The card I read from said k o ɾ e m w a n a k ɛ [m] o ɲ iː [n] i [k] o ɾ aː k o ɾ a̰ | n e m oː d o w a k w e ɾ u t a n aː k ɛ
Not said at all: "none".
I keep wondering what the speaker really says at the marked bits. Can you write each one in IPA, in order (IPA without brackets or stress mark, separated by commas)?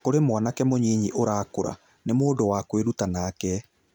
m, ɲ, ʔ